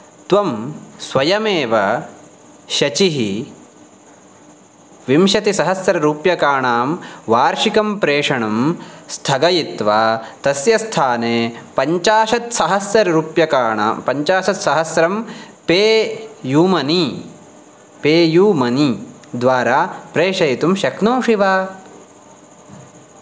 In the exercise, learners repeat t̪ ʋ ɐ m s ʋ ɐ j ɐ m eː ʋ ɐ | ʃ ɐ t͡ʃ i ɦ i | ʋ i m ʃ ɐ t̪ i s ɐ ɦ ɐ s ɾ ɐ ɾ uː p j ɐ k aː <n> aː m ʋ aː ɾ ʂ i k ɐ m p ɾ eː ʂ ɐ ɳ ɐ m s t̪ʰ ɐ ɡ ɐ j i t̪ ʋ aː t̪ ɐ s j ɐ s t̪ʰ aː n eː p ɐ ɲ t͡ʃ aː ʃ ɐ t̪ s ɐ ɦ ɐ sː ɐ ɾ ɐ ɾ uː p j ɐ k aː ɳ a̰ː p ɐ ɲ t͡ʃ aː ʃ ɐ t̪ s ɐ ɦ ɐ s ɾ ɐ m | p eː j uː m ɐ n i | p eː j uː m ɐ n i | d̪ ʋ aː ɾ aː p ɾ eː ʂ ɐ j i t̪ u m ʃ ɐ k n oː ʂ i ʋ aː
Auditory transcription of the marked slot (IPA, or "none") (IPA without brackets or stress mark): ɳ